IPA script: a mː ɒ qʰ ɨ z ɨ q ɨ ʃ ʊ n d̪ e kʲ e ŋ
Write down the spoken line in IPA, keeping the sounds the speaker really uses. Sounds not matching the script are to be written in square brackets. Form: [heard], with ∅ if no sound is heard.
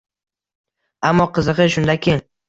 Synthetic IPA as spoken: a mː ɒ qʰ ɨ z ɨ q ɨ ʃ ʊ n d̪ [a] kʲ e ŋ